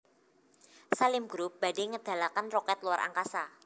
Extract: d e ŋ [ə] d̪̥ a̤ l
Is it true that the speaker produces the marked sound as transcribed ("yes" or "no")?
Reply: yes